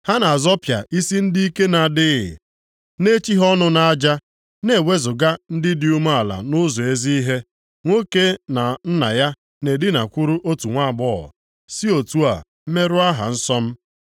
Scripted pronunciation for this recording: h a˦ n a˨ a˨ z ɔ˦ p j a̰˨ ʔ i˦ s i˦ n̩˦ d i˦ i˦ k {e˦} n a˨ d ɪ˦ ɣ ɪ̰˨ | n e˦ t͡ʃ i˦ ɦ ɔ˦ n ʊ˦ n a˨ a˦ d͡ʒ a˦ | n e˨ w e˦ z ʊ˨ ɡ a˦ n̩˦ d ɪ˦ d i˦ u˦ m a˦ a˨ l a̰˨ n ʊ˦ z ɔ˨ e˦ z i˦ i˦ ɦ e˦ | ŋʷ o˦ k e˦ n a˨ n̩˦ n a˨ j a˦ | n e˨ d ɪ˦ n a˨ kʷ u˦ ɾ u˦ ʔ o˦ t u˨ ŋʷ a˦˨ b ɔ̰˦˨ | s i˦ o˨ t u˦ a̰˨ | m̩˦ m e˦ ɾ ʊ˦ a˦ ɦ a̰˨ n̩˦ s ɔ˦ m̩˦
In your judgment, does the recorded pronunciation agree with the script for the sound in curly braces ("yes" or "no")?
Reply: yes